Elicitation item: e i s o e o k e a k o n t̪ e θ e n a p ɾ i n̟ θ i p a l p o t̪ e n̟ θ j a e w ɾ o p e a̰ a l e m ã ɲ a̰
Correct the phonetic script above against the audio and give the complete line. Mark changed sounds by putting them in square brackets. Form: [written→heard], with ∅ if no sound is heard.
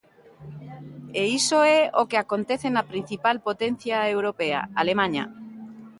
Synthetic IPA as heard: e i s o e o k e a k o n t̪ e θ e n a p ɾ i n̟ θ i p a l p o t̪ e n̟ θ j a e w ɾ o p e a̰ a l e m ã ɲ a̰